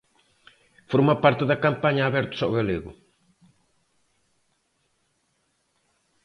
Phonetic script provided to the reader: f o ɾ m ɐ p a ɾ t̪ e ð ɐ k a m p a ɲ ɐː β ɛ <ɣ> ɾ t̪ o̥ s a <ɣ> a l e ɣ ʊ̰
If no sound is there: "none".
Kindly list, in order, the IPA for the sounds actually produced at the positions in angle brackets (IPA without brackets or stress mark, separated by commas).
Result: none, ɣ